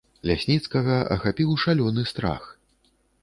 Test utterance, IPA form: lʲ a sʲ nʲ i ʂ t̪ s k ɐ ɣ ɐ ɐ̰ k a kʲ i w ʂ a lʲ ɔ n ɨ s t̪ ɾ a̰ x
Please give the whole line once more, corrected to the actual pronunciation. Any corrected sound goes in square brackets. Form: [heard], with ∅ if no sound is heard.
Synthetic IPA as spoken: lʲ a sʲ nʲ i [∅] t̪ s k ɐ ɣ ɐ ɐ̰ [x] a [pʲ] i w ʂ a lʲ ɔ n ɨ s t̪ ɾ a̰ x